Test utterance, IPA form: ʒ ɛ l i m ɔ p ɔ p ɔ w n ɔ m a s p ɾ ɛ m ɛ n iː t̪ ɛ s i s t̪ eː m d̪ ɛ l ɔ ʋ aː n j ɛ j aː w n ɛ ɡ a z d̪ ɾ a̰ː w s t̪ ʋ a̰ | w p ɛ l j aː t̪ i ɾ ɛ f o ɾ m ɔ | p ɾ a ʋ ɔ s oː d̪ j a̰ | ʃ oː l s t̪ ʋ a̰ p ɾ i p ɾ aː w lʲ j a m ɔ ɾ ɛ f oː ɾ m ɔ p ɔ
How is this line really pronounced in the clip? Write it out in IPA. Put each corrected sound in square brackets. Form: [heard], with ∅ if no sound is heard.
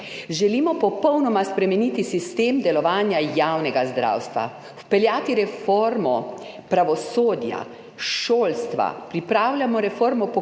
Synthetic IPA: ʒ ɛ l i m ɔ p ɔ p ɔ w n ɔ m a s p ɾ ɛ m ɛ n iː t̪ [i] s i s t̪ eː m d̪ ɛ l ɔ ʋ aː n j [a] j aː w n ɛ ɡ a z d̪ ɾ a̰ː w s t̪ ʋ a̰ | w p ɛ l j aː t̪ i ɾ ɛ f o ɾ m ɔ | p ɾ a ʋ ɔ s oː d̪ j a̰ | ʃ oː l s t̪ ʋ a̰ p ɾ i p ɾ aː w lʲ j a m ɔ ɾ ɛ f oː ɾ m ɔ p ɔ